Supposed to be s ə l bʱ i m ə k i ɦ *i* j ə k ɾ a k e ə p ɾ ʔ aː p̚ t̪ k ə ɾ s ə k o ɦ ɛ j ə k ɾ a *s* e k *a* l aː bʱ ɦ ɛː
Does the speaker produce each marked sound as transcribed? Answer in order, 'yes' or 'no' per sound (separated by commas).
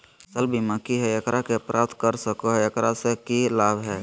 no, yes, no